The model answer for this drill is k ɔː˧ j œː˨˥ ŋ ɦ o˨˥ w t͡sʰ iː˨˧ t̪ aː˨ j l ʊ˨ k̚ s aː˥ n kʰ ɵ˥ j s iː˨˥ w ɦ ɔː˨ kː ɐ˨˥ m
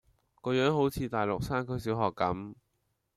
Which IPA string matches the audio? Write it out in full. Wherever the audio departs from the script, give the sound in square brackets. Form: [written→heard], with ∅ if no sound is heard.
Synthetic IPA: k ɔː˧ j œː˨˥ ŋ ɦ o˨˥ w t͡sʰ iː˨˧ t̪ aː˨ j l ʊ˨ k̚ s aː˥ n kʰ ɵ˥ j s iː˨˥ w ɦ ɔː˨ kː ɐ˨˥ m